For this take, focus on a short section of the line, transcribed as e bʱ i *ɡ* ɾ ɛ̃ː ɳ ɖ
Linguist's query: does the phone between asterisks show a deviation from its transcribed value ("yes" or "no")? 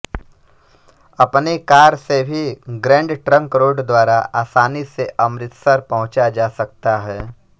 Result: no